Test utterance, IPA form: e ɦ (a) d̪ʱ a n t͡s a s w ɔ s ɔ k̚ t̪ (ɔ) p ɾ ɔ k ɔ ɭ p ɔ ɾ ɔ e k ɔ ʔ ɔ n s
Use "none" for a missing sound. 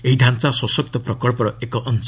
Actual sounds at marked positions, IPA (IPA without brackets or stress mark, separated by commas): i, ɔ